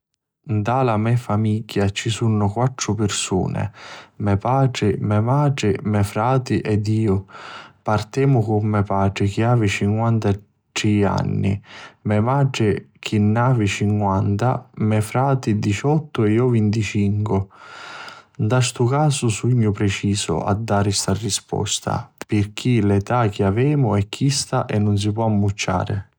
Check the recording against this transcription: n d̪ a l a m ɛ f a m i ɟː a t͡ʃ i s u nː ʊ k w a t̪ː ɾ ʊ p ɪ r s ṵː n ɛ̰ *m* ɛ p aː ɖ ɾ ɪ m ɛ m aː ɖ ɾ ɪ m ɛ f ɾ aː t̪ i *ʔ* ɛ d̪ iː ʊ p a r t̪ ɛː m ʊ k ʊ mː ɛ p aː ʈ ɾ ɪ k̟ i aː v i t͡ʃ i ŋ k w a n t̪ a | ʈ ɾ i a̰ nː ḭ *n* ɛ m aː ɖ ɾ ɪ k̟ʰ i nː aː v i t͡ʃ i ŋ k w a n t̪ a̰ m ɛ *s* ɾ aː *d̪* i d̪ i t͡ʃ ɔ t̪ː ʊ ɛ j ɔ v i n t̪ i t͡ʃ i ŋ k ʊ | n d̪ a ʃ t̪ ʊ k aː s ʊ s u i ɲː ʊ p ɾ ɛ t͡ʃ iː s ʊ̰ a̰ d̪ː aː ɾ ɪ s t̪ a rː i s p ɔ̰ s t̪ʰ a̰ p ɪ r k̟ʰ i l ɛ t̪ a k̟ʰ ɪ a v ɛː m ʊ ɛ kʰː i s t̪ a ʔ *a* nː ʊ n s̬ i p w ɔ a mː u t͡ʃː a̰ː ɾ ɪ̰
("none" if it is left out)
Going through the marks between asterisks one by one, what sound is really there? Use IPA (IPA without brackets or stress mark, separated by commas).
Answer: m, ʔ, m, f, t̪, ɛ